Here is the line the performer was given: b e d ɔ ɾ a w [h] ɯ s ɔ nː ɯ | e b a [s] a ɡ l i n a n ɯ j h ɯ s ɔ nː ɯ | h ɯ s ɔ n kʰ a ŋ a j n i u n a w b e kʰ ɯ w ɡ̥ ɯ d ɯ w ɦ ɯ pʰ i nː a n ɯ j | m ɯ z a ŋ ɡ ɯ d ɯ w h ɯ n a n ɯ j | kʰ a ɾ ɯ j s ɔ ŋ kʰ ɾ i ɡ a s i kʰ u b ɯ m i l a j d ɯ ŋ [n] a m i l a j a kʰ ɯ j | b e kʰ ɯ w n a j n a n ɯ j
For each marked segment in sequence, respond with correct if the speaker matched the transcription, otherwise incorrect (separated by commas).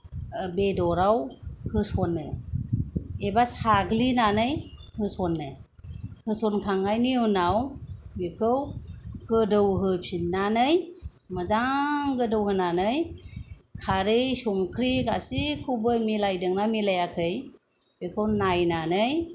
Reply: correct, correct, correct